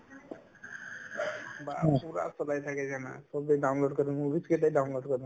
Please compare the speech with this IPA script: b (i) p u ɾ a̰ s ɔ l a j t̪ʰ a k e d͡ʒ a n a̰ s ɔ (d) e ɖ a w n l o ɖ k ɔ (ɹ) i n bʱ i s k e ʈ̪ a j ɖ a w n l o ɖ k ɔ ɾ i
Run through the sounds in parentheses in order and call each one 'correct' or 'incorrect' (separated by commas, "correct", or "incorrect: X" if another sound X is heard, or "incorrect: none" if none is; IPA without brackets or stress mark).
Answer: incorrect: a, incorrect: b, incorrect: ɾ